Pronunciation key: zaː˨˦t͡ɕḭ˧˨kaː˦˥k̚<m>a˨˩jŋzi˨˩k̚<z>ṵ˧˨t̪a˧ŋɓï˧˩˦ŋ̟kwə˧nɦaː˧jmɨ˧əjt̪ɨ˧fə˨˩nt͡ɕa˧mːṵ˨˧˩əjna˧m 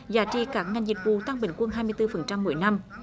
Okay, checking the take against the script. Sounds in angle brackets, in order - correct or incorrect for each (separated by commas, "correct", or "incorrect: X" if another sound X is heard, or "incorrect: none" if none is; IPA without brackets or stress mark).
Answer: incorrect: ŋ, incorrect: v